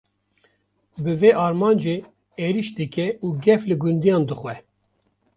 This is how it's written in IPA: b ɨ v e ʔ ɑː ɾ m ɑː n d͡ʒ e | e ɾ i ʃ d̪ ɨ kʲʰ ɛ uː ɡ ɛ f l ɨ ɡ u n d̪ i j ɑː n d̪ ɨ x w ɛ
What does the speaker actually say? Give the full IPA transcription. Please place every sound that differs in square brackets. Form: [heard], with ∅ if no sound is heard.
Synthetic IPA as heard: b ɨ v e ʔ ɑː ɾ m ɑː n d͡ʒ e | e ɾ i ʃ d̪ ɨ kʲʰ ɛ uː ɡ ɛ f l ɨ ɡ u n d̪ i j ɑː n d̪ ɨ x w ɛ